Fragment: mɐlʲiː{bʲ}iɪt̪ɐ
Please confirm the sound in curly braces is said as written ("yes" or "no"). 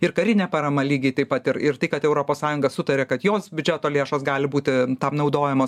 no